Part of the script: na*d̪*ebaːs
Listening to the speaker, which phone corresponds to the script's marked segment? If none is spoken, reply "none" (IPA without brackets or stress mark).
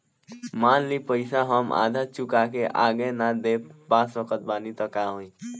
d̪